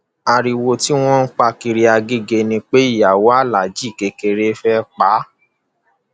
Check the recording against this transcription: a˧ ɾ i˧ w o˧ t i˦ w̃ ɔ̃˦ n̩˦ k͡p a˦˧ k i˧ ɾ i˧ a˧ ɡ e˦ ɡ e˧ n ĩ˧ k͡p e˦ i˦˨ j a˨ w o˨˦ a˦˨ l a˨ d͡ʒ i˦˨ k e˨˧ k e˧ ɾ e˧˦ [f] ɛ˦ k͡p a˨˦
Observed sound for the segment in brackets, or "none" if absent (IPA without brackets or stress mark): f